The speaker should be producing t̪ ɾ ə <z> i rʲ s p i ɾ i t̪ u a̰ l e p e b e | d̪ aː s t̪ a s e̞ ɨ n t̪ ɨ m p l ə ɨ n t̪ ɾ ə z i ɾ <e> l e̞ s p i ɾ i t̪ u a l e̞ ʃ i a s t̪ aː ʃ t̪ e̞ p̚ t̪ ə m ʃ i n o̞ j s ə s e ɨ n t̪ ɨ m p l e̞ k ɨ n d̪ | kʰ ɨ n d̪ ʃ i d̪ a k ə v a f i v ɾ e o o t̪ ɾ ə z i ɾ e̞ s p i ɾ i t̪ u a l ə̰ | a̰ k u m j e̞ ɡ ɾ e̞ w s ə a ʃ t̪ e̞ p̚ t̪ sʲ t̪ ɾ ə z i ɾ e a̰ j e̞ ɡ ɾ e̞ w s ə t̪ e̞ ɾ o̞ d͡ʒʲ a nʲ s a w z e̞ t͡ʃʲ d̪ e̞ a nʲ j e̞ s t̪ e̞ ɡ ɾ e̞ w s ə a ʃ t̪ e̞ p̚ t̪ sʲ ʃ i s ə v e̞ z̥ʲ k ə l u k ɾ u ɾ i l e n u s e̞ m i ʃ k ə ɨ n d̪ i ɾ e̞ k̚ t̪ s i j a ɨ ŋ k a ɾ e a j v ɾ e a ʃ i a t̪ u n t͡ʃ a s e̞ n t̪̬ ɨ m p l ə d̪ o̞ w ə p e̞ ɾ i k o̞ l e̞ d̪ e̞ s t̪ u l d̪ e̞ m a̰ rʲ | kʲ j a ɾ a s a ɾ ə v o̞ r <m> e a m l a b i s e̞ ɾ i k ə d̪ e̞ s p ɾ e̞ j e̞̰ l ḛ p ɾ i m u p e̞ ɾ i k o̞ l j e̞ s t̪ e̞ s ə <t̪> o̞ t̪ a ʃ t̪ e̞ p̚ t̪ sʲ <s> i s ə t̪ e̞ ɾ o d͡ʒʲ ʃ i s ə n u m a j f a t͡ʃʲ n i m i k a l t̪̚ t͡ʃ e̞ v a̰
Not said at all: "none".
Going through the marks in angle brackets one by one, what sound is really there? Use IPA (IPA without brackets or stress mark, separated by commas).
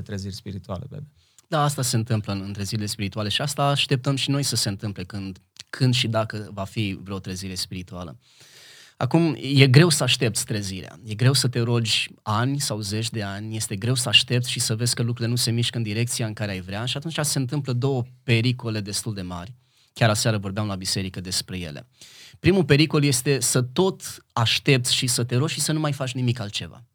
z, i, b, t̪, ʃ